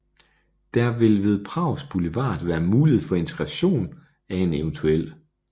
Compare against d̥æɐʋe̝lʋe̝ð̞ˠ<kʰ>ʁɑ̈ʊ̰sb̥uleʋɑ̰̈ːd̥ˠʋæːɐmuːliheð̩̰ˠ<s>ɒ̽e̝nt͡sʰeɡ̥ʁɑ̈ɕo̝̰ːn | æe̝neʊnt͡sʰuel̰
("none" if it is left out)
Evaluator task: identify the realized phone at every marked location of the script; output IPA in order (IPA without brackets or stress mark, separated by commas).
pʰ, f